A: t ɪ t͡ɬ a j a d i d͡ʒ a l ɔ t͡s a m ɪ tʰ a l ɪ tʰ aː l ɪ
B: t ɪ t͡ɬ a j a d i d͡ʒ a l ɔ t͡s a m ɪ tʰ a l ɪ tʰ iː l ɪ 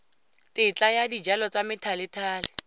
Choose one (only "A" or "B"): A